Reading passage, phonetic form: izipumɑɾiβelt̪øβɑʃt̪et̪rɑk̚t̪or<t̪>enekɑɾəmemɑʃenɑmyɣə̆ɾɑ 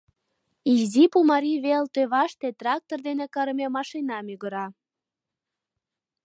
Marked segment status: incorrect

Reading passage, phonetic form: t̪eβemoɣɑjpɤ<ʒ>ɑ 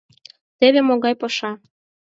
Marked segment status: incorrect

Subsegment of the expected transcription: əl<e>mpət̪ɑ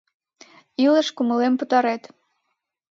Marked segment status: correct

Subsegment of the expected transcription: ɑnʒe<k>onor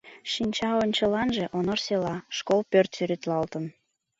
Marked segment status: incorrect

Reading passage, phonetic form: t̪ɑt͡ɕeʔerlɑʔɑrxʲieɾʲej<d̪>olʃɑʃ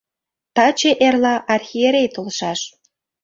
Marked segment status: incorrect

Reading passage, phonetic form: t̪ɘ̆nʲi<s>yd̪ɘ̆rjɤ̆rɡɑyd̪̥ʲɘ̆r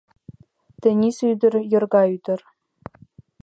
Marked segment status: correct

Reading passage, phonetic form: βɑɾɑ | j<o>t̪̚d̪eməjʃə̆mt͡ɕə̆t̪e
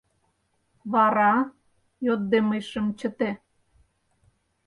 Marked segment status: correct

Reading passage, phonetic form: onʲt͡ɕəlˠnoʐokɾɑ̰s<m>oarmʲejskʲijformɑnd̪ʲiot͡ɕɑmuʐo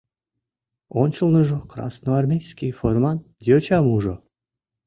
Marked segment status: incorrect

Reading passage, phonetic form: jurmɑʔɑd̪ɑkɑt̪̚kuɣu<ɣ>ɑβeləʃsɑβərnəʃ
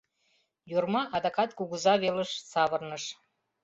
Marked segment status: incorrect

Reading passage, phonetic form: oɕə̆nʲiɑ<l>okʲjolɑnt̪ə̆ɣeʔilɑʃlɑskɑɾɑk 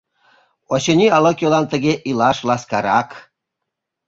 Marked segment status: correct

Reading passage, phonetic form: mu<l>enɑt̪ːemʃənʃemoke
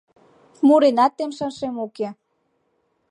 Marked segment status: incorrect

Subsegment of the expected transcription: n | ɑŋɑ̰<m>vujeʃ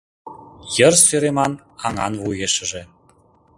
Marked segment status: incorrect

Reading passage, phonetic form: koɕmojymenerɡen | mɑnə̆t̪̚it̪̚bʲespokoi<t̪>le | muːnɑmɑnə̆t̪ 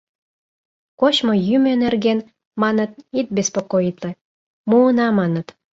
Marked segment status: correct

